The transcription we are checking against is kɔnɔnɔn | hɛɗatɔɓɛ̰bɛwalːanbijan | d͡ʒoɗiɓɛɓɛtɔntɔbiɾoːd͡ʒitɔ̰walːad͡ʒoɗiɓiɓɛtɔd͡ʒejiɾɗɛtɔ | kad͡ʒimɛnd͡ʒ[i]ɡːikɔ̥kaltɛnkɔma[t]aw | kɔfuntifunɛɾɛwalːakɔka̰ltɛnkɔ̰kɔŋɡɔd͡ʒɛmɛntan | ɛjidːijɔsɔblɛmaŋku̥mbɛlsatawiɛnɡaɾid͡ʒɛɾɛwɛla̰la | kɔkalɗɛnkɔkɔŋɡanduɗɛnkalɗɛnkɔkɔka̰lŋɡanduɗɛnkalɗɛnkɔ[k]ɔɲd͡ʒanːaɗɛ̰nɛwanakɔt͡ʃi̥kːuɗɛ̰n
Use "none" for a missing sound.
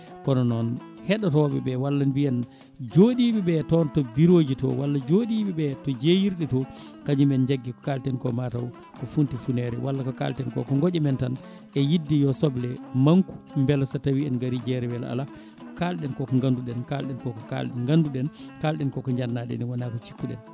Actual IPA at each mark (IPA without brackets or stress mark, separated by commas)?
a, t, k